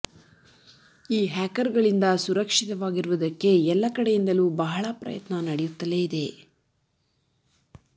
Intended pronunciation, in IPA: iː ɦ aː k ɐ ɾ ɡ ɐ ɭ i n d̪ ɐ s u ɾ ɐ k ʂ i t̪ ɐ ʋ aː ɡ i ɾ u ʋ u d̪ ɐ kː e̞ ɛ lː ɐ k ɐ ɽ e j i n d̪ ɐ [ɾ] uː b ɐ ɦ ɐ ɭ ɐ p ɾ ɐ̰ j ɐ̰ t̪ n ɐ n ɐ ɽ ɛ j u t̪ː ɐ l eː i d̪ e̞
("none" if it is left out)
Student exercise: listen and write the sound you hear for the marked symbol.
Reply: l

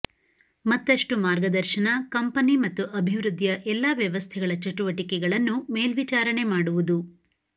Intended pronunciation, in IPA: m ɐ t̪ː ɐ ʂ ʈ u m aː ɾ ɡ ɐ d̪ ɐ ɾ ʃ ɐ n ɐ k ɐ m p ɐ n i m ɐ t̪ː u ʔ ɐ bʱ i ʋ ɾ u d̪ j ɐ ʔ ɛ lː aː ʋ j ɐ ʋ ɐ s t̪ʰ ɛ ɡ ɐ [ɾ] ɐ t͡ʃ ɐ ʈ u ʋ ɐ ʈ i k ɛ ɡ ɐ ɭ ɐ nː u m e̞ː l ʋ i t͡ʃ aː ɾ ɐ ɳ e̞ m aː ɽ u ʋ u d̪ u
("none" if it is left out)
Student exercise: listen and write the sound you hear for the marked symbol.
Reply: ɭ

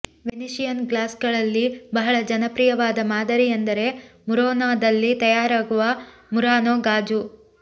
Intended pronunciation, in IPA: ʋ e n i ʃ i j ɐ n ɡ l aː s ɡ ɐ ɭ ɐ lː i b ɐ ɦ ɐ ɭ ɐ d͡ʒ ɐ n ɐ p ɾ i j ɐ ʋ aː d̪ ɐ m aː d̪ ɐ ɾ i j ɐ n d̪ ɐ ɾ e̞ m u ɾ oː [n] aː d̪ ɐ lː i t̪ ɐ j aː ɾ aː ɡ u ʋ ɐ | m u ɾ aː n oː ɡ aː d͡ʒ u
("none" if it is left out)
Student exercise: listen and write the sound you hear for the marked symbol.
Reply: n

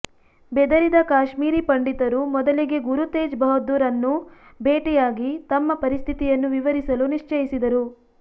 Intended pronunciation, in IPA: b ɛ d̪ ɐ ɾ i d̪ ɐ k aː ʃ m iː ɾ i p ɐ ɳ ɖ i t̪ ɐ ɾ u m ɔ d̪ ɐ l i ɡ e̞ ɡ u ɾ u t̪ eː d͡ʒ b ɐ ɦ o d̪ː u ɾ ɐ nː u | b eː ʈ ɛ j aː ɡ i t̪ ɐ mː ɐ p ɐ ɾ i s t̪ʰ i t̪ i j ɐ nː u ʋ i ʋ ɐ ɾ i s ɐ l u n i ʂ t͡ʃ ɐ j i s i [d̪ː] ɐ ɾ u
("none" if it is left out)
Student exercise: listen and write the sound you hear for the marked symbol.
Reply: d̪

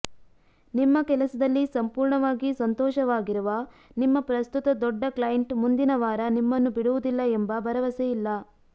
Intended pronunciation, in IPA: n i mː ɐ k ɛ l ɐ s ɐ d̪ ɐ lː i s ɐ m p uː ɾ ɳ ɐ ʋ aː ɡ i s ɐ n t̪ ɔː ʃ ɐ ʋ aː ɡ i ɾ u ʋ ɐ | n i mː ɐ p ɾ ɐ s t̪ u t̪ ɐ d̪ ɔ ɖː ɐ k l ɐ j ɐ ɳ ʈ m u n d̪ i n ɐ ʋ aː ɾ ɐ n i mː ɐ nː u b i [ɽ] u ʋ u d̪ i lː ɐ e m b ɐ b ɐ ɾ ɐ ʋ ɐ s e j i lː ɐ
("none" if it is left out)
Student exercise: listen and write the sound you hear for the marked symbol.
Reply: ɽ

